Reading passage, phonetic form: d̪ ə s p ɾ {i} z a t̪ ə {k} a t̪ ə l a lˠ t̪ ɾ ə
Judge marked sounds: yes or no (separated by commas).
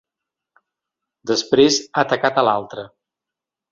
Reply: no, yes